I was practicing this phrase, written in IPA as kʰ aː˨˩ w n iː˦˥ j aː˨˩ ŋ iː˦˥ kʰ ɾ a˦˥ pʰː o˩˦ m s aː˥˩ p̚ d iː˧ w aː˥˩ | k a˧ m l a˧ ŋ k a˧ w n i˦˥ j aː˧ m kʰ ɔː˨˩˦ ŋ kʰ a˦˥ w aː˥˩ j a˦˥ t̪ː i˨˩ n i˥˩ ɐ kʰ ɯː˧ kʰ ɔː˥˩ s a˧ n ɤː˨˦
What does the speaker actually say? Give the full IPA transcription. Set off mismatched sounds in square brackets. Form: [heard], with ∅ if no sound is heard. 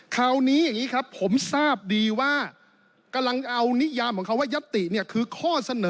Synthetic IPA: kʰ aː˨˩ w n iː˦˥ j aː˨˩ ŋ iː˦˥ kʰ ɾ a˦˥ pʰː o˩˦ m s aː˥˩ p̚ d iː˧ w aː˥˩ | k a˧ m l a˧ ŋ [ʔ] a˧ w n i˦˥ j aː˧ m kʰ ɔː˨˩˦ ŋ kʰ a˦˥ w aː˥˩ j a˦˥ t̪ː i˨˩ n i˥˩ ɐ kʰ ɯː˧ kʰ ɔː˥˩ s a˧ n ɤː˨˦